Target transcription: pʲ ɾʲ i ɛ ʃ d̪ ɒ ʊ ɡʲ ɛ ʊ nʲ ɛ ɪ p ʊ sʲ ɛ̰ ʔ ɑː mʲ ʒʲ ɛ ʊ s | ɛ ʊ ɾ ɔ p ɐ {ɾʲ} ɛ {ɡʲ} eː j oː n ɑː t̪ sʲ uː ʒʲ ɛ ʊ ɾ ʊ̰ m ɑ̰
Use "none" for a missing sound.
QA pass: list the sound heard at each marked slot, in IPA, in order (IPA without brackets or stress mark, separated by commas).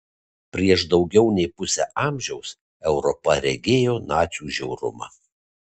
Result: ɾʲ, ɡʲ